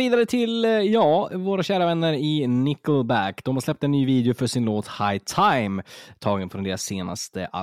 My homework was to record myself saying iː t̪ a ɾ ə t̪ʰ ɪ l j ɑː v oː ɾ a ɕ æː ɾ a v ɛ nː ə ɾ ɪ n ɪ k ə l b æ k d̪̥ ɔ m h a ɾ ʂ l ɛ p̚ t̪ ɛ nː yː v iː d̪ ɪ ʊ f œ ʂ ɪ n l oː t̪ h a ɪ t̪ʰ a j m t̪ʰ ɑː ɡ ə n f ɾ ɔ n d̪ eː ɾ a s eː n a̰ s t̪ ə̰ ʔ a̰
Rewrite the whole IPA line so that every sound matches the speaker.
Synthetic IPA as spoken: iː d̪ a ɾ ə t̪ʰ ɪ l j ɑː v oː ɾ a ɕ æː ɾ a v ɛ nː ə ɾ ɪ n ɪ k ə l b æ k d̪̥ ɔ m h a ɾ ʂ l ɛ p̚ t̪ ɛ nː yː v iː d̪ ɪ ʊ f œ ʂ ɪ n l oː t̪ h a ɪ t̪ʰ a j m t̪ʰ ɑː ɡ ə n f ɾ ɔ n d̪ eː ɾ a s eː n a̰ s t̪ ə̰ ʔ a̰